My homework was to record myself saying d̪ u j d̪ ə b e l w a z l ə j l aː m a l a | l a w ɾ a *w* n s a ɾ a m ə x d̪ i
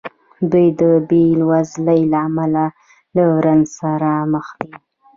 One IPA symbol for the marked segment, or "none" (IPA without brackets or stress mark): none